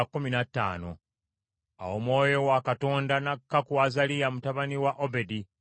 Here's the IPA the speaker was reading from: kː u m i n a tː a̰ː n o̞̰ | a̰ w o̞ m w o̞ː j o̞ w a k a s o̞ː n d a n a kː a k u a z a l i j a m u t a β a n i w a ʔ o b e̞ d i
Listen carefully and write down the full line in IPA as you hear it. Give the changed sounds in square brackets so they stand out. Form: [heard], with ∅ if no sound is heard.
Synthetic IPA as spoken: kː u m i n a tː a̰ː n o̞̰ | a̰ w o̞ m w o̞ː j o̞ w a k a [t] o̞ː n d a n a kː a k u a z a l i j a m u t a β a n i w a ʔ o b e̞ d i